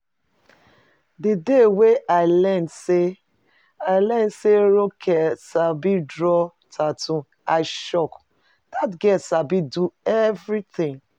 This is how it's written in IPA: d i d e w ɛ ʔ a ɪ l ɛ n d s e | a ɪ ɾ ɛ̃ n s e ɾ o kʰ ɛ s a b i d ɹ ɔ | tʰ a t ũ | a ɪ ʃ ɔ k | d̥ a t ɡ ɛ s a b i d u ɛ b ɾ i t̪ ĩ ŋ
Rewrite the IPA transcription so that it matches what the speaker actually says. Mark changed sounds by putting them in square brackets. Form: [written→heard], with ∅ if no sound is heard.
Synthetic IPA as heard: d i d e w [ɛ→e] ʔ a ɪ l ɛ n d s e | a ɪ [ɾ→l] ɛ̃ n s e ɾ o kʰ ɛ s a b i d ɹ ɔ | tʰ a t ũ | a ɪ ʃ ɔ k | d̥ a t ɡ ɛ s a b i d u ɛ [b→v] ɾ i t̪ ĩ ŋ